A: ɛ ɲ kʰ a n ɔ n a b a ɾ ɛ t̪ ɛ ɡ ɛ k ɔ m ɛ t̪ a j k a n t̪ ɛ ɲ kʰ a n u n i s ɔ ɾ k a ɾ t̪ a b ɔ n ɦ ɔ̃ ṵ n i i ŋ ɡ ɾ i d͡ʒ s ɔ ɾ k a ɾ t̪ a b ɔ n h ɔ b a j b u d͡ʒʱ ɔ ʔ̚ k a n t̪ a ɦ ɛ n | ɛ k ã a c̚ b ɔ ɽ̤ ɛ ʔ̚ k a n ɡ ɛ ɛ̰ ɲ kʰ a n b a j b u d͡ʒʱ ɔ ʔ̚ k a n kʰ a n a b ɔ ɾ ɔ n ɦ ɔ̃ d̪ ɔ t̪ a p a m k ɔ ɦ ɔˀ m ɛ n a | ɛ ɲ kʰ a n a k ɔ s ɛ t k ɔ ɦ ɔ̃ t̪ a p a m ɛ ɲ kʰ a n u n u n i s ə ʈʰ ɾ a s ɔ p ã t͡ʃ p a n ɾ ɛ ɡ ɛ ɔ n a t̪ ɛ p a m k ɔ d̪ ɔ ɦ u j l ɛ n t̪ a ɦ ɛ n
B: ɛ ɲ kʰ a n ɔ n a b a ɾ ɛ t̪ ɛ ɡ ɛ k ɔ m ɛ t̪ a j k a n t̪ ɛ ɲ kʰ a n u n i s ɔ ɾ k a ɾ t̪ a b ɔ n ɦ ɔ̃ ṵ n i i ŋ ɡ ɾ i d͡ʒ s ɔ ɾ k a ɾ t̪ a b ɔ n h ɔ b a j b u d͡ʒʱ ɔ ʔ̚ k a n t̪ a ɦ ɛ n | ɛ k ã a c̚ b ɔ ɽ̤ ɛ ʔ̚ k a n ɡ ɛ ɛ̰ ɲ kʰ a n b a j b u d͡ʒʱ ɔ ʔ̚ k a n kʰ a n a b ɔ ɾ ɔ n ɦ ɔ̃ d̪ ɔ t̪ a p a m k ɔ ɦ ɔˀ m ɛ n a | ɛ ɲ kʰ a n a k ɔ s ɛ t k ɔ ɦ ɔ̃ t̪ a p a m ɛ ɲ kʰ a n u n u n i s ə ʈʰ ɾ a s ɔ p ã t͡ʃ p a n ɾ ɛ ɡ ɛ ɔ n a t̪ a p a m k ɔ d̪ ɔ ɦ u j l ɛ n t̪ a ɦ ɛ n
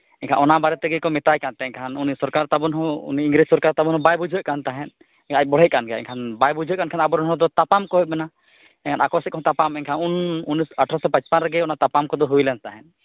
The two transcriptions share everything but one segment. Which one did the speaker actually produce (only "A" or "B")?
B